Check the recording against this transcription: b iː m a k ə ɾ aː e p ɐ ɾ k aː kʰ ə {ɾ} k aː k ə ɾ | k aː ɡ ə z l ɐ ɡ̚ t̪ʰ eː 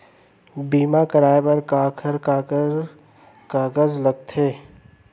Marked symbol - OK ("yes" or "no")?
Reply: yes